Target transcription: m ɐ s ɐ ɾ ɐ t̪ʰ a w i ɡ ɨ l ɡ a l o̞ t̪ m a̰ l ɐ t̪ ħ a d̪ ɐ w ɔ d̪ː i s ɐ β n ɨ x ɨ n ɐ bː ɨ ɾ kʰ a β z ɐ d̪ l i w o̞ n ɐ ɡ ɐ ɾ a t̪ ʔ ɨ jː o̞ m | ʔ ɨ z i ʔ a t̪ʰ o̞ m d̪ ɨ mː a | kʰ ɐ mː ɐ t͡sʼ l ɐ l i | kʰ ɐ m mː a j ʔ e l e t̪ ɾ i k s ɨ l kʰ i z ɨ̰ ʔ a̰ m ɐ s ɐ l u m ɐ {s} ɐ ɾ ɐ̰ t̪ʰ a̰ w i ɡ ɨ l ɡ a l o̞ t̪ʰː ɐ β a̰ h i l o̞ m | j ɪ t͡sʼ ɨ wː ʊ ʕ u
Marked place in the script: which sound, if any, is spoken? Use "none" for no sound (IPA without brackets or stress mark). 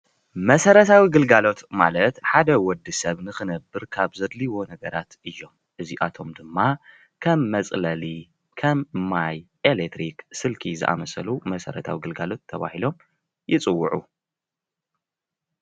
s